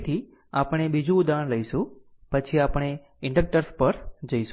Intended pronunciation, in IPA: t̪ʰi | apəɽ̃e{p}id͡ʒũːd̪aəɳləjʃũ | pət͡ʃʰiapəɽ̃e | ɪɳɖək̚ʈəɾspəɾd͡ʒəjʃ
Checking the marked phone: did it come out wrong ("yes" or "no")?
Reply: yes